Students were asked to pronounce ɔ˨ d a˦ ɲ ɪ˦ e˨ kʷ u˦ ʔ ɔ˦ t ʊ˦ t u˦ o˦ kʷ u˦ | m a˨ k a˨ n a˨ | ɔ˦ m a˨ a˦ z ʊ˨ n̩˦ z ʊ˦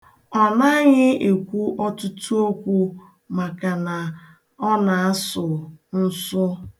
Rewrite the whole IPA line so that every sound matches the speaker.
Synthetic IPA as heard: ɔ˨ n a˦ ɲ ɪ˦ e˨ kʷ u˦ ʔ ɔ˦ t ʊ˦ t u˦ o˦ kʷ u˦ | m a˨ k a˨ n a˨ | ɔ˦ n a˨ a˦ s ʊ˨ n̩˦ s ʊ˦